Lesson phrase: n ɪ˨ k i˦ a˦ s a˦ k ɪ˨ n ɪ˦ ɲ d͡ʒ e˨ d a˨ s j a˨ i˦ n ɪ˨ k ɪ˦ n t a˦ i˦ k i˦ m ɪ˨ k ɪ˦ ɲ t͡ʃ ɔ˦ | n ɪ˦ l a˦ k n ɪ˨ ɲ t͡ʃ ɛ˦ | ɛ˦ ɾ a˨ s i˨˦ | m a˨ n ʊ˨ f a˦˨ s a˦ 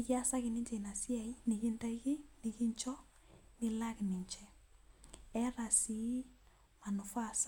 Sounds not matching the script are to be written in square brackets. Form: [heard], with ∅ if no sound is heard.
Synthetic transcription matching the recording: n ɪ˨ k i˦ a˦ s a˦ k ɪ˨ n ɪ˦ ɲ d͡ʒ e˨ [n] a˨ s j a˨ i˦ n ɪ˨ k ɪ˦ n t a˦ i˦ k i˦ [n] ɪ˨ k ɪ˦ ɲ t͡ʃ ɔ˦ | n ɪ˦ l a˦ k n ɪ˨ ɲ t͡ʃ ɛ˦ | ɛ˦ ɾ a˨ s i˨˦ | m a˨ n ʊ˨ f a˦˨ s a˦

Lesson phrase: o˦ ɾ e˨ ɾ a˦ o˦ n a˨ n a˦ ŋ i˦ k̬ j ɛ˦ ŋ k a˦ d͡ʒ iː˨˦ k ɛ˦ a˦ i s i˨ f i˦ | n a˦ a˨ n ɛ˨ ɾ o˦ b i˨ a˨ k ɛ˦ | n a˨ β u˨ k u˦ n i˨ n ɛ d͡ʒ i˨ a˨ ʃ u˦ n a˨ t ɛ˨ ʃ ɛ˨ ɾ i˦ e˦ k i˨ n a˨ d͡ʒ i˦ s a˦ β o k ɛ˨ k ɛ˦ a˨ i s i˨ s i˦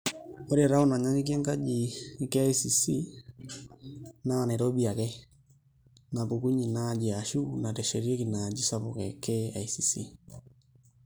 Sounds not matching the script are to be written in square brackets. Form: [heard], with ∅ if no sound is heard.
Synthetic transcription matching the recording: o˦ ɾ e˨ ɾ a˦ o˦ n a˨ [ɲ] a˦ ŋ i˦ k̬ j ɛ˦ ŋ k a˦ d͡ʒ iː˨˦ k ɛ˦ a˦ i s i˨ [s] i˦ | n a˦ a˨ n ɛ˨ ɾ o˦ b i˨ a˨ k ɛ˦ | n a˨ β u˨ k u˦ [ɲ] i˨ n [a] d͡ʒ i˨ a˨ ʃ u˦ n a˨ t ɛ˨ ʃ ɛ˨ ɾ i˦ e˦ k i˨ n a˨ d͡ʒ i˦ s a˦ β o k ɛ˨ k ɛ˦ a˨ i s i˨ s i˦

